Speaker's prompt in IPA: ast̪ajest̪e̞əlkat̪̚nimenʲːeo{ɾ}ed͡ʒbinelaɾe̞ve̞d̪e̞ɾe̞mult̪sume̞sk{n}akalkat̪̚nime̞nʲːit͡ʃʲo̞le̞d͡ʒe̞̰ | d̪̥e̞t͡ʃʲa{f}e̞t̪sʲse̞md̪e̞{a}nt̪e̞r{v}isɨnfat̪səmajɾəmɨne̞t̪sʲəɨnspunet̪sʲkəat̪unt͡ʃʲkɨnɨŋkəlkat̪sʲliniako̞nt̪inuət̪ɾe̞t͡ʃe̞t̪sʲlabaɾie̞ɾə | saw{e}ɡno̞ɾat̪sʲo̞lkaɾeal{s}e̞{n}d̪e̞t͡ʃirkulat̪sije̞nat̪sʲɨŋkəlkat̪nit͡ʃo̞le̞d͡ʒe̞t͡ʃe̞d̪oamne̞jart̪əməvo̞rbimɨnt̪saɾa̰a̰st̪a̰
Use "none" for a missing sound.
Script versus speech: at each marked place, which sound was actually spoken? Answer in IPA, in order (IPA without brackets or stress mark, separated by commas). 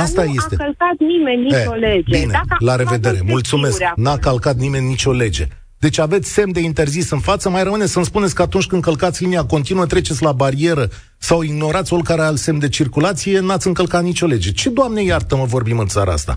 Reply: l, n, v, i, z, i, s, m